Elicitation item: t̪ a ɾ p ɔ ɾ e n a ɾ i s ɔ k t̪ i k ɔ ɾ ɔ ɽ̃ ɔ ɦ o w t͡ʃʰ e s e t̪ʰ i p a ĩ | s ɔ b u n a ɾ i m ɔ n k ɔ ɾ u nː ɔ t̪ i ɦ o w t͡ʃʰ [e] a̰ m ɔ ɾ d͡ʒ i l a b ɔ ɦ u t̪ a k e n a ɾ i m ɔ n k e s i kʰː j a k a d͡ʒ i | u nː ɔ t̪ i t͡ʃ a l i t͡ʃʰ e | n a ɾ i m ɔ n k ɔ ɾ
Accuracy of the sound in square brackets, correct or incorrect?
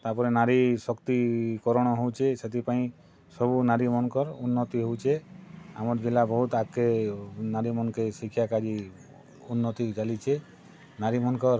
correct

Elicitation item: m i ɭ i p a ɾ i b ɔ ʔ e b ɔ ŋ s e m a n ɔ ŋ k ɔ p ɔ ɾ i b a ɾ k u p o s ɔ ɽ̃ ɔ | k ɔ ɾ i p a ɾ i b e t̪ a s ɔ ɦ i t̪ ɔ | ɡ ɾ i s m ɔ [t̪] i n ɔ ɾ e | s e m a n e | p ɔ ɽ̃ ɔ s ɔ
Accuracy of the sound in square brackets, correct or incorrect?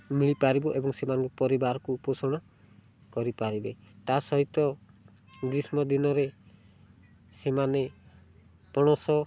incorrect: d̪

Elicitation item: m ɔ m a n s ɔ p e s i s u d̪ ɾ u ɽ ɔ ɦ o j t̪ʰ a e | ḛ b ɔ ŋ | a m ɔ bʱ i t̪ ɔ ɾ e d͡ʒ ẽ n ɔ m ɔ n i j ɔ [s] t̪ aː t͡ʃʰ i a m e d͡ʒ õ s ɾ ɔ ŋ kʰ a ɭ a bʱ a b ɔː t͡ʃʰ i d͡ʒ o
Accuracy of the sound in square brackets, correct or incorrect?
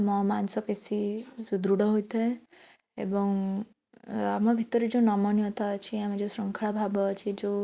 incorrect: none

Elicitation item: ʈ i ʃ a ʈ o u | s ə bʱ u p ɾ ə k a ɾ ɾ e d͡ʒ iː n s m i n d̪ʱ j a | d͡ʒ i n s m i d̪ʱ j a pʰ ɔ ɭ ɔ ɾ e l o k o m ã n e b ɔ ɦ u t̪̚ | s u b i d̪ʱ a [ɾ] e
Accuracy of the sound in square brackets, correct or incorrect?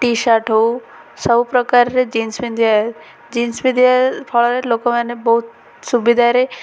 correct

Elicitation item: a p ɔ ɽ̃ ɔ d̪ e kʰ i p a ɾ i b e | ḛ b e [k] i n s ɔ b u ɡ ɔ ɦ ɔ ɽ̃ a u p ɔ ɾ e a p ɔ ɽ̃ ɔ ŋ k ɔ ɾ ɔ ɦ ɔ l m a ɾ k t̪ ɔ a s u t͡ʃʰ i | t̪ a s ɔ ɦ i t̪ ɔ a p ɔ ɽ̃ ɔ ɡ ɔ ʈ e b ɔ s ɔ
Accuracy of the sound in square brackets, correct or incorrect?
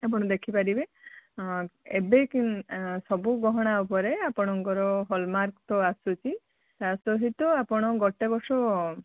correct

